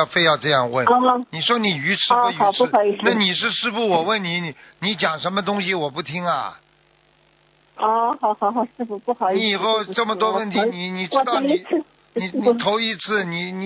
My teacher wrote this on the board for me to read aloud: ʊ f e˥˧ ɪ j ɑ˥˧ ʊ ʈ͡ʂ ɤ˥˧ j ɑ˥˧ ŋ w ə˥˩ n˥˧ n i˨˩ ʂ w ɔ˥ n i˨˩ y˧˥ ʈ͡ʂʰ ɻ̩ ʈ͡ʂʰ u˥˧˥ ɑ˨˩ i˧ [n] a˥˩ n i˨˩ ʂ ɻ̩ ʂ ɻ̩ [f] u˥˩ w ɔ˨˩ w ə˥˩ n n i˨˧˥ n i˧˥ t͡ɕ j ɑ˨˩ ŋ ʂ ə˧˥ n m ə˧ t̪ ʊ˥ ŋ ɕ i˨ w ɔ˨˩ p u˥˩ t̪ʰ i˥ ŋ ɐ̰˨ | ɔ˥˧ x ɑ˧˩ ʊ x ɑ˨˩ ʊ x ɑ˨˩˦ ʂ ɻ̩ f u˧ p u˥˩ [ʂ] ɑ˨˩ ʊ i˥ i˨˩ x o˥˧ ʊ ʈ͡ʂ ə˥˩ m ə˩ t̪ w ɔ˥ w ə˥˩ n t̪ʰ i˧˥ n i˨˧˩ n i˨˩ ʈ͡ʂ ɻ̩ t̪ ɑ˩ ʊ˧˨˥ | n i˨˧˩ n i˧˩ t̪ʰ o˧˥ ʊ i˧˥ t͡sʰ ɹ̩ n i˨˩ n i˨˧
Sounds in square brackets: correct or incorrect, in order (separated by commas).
correct, correct, incorrect